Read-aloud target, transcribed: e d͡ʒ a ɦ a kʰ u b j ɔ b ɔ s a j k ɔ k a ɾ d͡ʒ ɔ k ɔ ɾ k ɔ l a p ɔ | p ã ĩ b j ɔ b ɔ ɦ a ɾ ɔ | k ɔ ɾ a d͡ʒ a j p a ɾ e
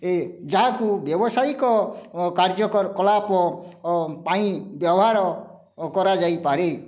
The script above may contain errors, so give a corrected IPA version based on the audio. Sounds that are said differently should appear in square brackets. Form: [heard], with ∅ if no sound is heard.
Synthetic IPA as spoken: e d͡ʒ a ɦ a [k] u b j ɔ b ɔ s a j k ɔ k a ɾ d͡ʒ ɔ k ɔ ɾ k ɔ l a p ɔ | p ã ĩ b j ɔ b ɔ ɦ a ɾ ɔ | k ɔ ɾ a d͡ʒ a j p a ɾ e